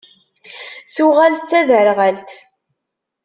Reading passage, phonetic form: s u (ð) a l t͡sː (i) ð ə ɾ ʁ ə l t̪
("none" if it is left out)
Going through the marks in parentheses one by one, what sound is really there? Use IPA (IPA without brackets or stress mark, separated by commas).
ʁ, æ